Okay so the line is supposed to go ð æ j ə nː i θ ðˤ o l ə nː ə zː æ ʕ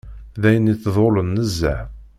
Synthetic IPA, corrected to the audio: ð æ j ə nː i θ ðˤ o l ə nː ə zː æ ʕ